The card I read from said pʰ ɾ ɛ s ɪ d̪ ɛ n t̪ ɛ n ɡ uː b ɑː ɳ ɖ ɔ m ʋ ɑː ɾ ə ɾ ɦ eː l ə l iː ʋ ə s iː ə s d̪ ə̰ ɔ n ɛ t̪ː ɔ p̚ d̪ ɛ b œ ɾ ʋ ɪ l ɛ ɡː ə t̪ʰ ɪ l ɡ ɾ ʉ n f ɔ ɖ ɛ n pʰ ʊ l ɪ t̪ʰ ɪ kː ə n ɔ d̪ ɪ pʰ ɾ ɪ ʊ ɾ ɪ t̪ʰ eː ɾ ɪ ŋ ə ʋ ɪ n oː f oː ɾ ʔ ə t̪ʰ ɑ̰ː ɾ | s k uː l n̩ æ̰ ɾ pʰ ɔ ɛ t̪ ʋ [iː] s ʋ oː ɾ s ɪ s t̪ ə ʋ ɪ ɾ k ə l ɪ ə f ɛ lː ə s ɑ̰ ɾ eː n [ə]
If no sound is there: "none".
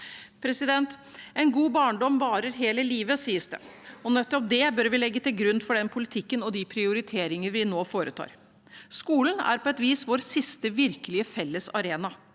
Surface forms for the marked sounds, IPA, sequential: iː, ɑ

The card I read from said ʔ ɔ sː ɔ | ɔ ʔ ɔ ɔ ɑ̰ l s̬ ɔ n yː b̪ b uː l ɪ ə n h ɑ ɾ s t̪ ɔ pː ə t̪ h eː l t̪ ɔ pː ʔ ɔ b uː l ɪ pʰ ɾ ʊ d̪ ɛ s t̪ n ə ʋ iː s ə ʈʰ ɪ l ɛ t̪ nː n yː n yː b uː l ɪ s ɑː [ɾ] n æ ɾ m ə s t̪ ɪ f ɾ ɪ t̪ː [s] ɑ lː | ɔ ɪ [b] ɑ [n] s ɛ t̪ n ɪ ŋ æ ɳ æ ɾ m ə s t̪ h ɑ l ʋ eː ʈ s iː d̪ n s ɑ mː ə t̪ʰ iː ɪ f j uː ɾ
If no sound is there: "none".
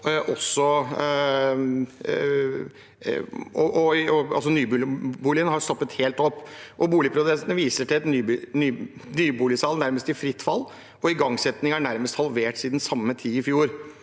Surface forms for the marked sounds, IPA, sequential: l, f, ɡ, ŋ

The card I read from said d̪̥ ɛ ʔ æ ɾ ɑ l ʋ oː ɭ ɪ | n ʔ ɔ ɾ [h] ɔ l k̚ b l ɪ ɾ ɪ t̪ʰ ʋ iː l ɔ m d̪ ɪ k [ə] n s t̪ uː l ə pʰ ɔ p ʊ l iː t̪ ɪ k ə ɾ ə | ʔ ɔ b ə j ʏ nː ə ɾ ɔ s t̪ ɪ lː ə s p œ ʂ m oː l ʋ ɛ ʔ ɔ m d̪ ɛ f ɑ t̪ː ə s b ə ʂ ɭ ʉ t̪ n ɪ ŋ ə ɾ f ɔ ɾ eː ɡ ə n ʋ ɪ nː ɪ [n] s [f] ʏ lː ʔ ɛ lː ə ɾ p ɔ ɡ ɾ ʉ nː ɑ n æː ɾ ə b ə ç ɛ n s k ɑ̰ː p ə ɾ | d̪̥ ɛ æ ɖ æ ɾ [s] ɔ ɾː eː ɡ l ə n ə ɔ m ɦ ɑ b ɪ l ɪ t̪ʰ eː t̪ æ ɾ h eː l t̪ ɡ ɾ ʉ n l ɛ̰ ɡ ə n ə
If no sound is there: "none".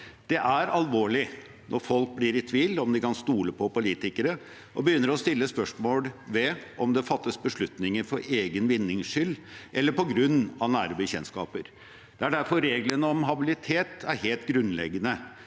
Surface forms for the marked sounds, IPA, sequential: f, ɑ, ŋ, ʂ, f

